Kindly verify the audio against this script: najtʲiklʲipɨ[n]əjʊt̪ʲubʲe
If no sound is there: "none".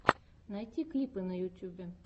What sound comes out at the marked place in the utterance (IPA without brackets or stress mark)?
n